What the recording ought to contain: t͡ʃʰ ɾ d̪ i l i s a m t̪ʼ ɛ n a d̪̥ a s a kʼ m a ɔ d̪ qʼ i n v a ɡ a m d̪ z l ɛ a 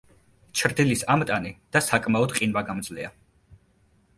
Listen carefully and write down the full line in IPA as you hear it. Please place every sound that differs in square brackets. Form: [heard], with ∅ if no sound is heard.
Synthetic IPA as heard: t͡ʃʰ ɾ d̪ i l i s a m t̪ʼ [a] n [i] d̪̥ a s a kʼ m a ɔ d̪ qʼ i n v a ɡ a m d̪ z l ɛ a